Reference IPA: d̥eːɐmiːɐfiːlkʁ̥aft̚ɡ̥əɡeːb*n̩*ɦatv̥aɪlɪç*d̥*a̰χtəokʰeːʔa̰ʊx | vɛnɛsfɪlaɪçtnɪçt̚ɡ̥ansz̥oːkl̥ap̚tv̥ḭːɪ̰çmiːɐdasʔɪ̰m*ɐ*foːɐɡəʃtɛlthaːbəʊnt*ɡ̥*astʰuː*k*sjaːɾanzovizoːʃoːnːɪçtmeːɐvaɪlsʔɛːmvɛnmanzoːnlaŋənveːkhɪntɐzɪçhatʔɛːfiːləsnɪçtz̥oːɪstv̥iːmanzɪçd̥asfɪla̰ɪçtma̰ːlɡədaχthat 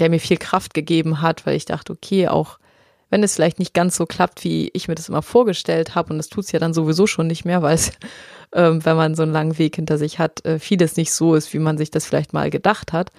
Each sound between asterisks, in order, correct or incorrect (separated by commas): incorrect, correct, correct, incorrect, incorrect